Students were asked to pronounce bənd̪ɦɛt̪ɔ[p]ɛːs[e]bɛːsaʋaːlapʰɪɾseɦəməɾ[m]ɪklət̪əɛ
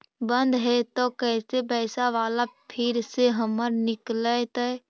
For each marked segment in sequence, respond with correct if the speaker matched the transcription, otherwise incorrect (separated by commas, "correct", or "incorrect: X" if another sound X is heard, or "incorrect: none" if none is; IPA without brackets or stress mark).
incorrect: k, correct, incorrect: n